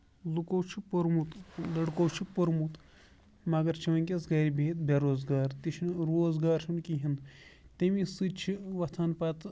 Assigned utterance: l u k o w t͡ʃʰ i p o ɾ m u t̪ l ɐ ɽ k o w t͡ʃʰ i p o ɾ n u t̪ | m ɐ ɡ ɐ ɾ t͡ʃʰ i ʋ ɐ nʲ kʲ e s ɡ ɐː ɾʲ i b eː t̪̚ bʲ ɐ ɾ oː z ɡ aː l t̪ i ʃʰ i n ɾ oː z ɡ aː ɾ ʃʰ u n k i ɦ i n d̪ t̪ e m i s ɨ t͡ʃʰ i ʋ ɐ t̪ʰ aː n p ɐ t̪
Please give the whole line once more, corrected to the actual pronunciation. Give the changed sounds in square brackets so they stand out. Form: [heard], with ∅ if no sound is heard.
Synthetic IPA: l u k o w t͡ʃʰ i p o ɾ m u t̪ l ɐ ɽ k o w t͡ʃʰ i p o ɾ [m] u t̪ | m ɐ ɡ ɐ ɾ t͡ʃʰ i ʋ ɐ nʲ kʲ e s ɡ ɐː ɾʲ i b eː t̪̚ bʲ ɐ ɾ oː z ɡ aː [ɾ] t̪ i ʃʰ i n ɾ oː z ɡ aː ɾ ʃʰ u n k i ɦ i n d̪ t̪ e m i s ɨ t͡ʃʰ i ʋ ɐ t̪ʰ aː n p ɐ t̪